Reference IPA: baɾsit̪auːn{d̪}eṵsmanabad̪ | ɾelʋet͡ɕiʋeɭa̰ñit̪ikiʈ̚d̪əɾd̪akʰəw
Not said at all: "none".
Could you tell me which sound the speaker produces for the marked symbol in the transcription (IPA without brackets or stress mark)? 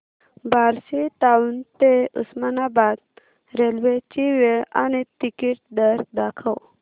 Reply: t̪